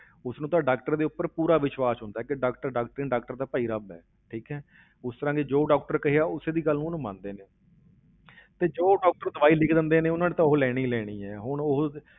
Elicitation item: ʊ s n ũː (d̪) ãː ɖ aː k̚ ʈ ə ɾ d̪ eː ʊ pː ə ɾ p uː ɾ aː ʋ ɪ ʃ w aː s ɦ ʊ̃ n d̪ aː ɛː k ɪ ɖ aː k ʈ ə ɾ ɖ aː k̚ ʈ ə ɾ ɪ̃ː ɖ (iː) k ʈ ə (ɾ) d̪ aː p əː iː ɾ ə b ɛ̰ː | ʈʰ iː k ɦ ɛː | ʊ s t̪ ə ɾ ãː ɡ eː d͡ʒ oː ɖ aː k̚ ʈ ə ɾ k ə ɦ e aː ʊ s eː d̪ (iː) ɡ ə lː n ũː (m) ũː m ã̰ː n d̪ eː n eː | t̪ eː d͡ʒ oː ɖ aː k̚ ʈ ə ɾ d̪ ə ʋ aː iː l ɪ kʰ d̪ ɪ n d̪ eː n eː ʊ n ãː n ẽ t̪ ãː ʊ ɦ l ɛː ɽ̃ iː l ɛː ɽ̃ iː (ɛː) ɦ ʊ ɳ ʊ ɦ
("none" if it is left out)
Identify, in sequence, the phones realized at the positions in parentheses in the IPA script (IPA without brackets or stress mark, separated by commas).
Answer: t̪, aː, ɾ, iː, n, ɛː